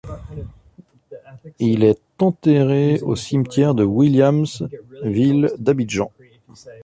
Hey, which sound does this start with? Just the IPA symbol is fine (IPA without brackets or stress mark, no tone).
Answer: i